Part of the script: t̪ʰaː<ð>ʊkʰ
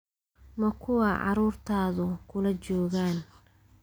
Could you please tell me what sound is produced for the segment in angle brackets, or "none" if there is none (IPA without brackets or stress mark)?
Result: ð